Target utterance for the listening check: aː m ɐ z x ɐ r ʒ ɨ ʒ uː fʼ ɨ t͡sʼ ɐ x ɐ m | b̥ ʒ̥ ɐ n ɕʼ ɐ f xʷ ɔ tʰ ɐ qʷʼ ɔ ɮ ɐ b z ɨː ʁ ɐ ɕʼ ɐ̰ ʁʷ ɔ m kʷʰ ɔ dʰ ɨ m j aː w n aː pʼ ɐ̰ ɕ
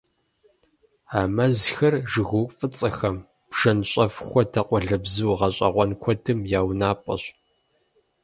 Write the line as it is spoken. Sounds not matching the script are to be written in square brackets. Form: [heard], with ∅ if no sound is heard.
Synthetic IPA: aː m ɐ z x ɐ r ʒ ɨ [ɣ] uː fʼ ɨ t͡sʼ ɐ x ɐ m | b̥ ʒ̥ ɐ n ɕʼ ɐ f xʷ ɔ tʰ ɐ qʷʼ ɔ ɮ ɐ b z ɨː ʁ ɐ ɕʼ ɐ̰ ʁʷ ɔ [n] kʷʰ ɔ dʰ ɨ m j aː w n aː pʼ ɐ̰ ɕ